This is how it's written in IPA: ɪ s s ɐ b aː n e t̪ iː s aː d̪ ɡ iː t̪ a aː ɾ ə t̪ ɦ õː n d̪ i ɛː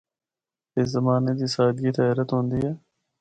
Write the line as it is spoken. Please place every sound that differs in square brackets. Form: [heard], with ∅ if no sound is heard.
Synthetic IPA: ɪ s [z] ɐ [m] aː n e [d̪] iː s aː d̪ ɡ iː t̪ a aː ɾ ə t̪ ɦ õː n d̪ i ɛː